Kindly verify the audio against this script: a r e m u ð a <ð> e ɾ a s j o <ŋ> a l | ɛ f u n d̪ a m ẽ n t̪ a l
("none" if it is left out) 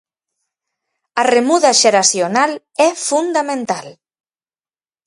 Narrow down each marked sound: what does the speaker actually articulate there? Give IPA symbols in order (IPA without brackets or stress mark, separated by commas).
ʒ, n